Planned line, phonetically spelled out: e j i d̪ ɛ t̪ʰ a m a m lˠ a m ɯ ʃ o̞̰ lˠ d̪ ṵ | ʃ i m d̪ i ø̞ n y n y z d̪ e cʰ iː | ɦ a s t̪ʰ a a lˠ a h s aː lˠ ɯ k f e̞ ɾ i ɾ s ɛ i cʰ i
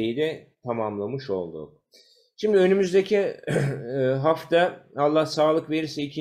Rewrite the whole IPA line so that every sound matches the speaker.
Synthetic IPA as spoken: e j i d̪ ɛ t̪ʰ a m a m lˠ a m ɯ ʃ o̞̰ lˠ d̪ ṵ | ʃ i m d̪ i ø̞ n y m y z d̪ e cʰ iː | ɦ a f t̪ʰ a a lˠː a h s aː lˠ ɯ k v e̞ ɾ i ɾ s ɛ i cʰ i